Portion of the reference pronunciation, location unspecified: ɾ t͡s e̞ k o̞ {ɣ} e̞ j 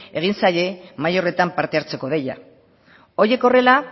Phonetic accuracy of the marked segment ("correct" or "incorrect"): incorrect